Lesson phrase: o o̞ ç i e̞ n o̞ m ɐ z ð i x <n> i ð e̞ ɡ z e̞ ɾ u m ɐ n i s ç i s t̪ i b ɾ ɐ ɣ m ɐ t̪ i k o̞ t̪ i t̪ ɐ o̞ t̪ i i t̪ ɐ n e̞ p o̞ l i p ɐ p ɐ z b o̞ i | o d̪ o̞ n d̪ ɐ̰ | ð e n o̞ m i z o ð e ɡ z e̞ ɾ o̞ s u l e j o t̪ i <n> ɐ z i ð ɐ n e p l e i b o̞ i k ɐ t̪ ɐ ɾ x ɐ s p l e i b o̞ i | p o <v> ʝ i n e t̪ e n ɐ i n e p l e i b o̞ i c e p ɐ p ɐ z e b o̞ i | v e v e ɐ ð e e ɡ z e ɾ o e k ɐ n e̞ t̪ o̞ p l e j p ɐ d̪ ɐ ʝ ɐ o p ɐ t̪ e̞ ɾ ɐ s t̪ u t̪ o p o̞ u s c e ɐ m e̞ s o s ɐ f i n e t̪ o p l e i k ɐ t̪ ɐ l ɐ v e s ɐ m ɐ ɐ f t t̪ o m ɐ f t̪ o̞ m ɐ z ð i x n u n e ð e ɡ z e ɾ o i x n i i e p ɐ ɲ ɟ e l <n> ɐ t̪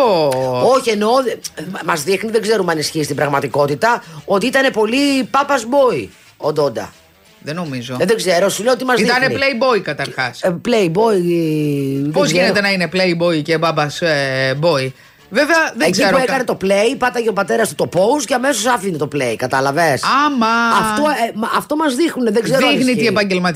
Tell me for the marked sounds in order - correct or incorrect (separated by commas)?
correct, incorrect, incorrect, incorrect